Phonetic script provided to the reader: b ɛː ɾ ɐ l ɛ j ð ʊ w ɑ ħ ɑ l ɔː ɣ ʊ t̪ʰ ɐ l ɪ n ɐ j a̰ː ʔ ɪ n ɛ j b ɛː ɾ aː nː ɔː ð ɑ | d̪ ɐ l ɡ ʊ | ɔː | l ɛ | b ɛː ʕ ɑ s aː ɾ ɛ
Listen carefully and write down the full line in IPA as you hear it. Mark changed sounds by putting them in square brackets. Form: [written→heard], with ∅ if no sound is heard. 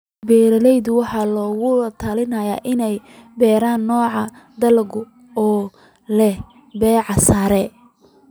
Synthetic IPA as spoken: b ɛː ɾ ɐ l ɛ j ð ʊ w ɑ ħ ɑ l ɔː ɣ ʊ t̪ʰ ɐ l ɪ n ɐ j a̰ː ʔ ɪ n ɛ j b ɛː ɾ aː nː ɔː [ð→ʕ] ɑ | d̪ ɐ l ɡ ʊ | ɔː | l ɛ | b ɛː ʕ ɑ s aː ɾ ɛ